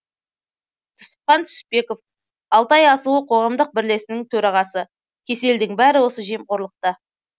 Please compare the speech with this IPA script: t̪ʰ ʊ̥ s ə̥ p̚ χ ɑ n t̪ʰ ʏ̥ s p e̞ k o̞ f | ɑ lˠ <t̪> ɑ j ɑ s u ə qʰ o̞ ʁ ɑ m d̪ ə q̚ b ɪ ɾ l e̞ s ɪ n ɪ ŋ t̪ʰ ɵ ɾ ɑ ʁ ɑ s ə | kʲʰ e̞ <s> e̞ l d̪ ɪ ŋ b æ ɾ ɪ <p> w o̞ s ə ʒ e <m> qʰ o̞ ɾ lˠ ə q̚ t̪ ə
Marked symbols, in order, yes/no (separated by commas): yes, yes, no, yes